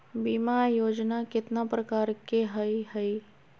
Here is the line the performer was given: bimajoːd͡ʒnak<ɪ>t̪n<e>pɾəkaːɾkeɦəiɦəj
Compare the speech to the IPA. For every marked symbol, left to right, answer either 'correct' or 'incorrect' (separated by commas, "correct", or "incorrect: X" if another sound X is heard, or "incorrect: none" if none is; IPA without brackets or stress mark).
correct, incorrect: a